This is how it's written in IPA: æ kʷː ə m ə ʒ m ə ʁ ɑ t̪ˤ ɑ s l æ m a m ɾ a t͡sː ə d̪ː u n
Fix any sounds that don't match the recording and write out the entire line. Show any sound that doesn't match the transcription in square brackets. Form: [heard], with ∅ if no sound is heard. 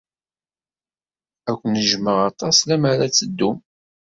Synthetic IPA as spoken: æ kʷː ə [n] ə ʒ m ə ʁ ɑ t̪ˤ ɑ s l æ m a [∅] ɾ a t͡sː ə d̪ː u [m]